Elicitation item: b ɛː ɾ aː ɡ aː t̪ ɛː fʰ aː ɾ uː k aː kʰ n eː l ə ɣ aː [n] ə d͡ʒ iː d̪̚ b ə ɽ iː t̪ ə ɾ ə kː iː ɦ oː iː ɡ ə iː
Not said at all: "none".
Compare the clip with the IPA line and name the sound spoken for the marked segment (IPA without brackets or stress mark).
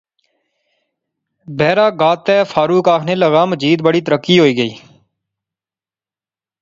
m